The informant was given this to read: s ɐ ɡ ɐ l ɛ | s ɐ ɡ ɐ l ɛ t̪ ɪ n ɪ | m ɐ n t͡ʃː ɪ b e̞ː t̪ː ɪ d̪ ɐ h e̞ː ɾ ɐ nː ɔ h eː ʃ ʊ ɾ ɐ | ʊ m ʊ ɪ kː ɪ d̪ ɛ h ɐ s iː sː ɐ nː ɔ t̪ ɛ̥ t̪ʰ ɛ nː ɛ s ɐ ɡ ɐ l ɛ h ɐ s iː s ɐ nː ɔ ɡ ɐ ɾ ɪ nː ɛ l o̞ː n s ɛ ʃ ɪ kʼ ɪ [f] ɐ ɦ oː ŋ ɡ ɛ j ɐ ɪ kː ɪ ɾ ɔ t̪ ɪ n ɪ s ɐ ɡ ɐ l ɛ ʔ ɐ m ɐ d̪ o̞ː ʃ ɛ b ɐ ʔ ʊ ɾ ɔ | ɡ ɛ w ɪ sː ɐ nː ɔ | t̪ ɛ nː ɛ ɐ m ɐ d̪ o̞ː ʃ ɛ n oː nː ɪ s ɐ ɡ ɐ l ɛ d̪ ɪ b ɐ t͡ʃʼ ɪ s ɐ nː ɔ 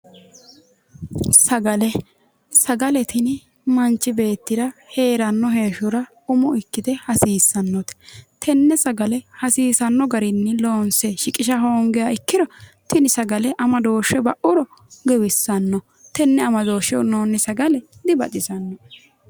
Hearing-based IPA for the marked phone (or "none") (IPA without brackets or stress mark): ʃ